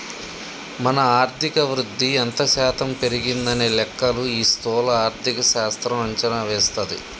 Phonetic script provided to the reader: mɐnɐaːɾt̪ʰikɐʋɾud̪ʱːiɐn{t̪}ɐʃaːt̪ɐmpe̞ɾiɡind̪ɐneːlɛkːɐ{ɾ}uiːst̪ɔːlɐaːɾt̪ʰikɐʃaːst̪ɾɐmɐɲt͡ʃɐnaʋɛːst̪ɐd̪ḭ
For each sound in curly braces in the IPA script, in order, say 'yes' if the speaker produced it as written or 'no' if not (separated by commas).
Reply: yes, no